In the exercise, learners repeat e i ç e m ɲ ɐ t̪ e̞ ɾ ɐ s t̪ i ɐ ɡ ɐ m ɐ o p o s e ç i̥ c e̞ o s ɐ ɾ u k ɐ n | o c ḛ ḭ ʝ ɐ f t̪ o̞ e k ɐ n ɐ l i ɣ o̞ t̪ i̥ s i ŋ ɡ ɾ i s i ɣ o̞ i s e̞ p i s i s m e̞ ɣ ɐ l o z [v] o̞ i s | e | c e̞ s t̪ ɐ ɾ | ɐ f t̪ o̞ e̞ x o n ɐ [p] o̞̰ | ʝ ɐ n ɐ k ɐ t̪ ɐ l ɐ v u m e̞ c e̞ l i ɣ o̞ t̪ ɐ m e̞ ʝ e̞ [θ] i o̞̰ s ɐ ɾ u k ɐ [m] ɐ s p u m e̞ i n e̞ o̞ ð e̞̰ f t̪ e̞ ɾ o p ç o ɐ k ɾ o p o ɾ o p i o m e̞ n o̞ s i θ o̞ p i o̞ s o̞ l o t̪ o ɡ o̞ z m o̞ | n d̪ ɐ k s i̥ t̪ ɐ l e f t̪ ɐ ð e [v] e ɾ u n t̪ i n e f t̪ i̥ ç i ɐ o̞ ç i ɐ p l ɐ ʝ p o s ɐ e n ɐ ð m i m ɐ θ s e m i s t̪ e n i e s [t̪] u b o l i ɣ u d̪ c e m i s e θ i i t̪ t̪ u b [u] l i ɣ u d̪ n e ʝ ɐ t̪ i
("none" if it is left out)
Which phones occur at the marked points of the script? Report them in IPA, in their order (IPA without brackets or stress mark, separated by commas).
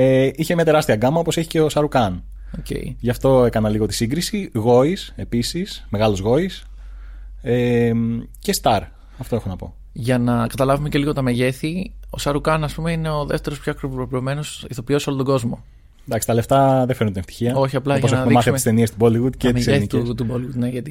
ɣ, p, θ, n, f, t̪, o